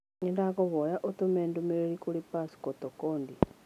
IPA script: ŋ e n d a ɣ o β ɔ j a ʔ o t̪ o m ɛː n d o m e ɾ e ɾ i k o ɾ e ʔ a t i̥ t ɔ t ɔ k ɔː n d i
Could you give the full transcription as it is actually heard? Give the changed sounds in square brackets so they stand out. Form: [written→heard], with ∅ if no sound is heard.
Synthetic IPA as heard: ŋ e n d a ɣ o β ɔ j a ʔ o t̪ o m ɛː n d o m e ɾ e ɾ i k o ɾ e [ʔ→p] a [t→s] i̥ [t→k] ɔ t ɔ k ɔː n d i